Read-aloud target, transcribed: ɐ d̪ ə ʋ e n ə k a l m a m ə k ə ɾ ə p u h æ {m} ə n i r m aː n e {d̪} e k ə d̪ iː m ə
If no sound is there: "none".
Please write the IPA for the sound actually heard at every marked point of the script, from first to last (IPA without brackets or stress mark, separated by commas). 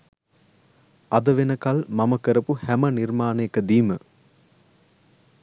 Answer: m, none